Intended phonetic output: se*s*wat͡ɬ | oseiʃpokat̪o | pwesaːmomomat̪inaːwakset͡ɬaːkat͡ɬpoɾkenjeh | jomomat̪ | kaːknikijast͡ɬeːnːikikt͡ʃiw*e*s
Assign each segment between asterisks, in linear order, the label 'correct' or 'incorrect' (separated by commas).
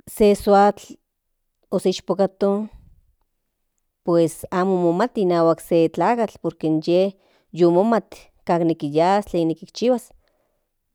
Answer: correct, incorrect